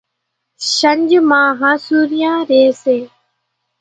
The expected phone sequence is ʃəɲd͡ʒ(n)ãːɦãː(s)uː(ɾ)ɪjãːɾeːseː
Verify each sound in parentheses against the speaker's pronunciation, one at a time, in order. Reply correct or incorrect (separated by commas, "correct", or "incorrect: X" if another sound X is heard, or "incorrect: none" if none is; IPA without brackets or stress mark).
incorrect: m, correct, correct